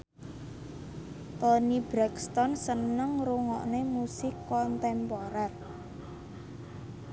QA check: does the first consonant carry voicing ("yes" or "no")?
no